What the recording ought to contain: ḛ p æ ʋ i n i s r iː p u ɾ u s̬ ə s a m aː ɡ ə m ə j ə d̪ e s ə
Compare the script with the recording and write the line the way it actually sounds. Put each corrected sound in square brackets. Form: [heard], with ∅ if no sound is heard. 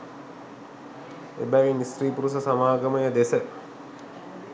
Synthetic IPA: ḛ [b] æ ʋ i n i s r iː p u ɾ u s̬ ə s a m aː ɡ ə m ə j ə d̪ e s ə